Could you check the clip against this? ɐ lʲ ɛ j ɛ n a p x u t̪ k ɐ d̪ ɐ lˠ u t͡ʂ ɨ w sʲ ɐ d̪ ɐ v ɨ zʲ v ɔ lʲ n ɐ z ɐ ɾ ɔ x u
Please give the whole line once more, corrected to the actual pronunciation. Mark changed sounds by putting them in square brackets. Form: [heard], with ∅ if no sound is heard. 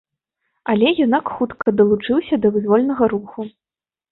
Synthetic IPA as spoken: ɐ lʲ ɛ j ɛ n a [k] x u t̪ k ɐ d̪ ɐ lˠ u t͡ʂ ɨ w sʲ ɐ d̪ ɐ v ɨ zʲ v ɔ lʲ n ɐ [ɣ] ɐ ɾ [u] x u